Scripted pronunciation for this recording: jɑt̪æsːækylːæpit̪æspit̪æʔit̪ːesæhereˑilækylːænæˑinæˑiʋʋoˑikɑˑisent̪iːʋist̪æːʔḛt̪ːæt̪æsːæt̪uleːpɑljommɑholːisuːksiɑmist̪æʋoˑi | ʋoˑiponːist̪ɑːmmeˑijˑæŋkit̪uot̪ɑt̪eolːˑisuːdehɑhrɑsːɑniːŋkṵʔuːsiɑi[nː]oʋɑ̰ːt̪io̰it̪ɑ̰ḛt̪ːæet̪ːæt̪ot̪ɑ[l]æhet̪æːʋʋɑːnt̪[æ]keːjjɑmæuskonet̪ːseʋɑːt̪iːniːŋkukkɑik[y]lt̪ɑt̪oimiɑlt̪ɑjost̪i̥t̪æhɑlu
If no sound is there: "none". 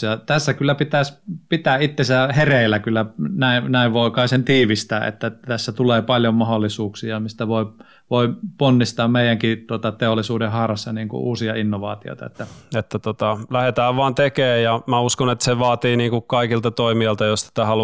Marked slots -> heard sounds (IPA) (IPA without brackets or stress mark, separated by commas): nː, l, e, i